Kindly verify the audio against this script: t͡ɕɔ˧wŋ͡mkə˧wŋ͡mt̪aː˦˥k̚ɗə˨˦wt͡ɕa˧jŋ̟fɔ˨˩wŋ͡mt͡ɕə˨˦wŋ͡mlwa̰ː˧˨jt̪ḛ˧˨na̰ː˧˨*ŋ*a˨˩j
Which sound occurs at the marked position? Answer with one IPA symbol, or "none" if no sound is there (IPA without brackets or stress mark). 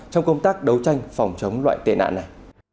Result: n